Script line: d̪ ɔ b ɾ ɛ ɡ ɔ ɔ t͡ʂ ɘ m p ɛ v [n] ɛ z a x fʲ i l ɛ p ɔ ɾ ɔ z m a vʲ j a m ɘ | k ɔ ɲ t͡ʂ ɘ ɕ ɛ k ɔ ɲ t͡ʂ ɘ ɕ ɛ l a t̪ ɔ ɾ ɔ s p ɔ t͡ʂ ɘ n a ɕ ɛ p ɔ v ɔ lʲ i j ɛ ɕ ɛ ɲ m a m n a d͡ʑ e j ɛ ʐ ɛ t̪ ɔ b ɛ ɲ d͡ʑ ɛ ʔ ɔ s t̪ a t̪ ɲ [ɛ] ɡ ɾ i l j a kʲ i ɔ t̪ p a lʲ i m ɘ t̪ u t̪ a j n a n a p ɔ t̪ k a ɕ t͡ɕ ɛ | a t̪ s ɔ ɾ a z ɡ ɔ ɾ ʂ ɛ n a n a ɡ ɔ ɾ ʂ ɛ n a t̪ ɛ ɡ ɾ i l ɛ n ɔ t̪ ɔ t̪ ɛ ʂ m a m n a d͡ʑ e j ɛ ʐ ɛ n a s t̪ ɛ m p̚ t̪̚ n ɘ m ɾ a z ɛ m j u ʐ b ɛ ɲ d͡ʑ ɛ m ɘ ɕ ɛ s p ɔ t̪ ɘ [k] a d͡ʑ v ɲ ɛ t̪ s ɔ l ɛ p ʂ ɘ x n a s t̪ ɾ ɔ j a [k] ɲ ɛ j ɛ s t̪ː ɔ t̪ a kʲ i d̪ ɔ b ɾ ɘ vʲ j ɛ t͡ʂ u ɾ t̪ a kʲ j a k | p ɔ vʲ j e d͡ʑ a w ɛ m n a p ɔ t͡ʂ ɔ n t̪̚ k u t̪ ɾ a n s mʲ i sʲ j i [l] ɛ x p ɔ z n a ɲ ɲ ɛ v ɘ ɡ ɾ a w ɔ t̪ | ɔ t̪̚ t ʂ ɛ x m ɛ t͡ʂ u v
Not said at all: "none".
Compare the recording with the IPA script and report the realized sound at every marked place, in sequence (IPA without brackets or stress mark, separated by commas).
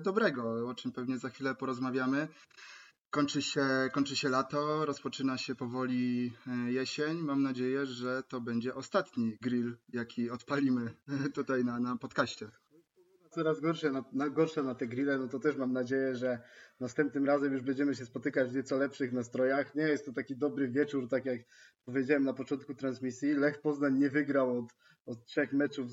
ɲ, i, k, x, l